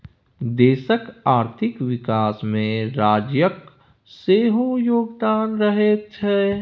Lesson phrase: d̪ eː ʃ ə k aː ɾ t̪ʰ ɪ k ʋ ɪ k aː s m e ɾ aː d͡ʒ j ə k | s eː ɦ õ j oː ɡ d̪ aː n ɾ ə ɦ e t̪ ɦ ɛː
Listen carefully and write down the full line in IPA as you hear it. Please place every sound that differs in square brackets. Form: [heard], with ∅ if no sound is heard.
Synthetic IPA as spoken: d̪ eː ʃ ə k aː ɾ t̪ʰ ɪ k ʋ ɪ k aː s m [ẽ] ɾ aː d͡ʒ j ə k | s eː ɦ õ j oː ɡ d̪ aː n ɾ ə ɦ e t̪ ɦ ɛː